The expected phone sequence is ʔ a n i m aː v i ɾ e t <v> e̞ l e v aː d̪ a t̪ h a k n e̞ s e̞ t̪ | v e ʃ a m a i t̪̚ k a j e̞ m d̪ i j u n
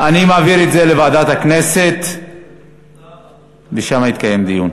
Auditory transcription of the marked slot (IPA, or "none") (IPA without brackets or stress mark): z